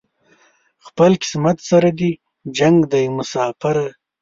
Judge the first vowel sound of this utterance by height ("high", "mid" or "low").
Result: mid